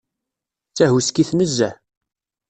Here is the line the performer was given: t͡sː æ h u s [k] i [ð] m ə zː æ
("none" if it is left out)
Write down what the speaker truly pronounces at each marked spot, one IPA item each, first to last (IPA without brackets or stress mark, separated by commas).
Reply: k, θ